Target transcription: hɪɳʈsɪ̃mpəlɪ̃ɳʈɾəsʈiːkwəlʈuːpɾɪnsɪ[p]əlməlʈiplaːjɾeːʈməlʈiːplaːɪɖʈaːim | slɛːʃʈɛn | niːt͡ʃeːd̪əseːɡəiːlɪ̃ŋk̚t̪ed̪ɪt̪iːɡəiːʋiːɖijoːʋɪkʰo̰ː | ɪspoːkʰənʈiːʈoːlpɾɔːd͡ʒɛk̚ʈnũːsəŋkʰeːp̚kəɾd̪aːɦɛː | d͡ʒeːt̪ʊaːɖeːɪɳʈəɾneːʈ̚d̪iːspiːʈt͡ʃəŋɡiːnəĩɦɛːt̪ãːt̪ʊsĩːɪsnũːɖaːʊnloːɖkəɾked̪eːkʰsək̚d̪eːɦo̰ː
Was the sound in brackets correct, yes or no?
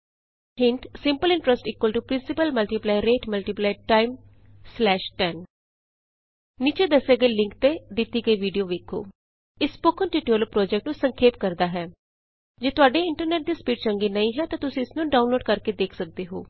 yes